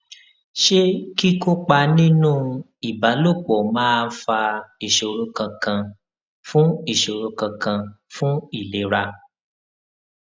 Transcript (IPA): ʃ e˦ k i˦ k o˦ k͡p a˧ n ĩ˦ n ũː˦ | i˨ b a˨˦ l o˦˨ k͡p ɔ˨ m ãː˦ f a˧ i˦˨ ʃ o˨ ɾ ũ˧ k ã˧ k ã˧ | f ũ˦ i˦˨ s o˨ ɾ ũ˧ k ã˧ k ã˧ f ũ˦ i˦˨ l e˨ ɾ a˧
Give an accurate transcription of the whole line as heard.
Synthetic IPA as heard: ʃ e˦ k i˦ k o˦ k͡p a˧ n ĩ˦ n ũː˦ | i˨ b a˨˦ l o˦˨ k͡p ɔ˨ m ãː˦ f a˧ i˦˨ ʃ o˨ ɾ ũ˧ k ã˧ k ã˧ | f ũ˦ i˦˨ ʃ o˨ ɾ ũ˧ k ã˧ k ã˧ f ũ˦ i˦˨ l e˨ ɾ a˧